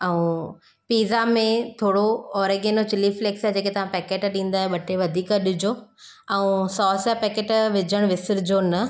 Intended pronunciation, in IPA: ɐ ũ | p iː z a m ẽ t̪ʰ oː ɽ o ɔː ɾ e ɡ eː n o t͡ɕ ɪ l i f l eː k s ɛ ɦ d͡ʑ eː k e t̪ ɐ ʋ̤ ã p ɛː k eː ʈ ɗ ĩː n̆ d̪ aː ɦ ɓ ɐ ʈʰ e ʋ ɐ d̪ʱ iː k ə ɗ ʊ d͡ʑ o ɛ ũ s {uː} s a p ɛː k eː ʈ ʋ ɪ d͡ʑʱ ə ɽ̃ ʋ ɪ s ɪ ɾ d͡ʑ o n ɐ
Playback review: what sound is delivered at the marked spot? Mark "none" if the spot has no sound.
ɔː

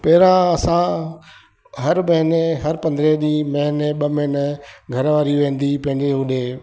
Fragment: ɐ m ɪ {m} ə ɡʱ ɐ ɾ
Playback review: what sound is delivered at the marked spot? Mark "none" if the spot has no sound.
n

